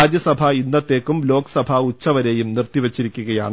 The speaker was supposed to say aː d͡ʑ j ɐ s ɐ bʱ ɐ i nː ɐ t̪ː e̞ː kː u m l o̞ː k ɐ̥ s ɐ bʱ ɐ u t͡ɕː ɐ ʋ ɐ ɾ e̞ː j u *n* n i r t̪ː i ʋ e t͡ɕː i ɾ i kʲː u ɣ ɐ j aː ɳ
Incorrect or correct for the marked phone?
incorrect: m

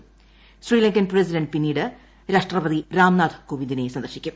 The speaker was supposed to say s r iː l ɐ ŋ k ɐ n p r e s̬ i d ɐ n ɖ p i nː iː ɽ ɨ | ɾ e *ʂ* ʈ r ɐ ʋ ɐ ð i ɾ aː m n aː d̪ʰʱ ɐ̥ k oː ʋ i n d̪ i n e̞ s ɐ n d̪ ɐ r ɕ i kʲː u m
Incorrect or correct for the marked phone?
correct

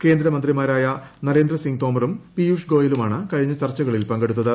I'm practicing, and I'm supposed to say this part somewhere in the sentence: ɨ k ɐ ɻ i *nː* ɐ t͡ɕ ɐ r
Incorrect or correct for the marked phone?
incorrect: ɲː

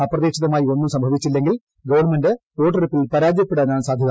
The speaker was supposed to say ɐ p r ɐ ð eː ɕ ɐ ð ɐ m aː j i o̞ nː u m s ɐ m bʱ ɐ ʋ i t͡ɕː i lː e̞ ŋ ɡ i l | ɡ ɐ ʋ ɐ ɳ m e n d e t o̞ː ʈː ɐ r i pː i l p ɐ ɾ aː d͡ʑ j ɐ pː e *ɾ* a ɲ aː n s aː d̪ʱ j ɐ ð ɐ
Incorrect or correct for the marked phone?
incorrect: ɽ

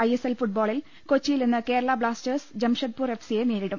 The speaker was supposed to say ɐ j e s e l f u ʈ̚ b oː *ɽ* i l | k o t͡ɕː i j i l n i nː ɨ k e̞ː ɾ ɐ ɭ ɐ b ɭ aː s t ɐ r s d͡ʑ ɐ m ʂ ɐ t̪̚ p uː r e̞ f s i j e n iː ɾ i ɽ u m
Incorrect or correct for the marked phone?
incorrect: ɭ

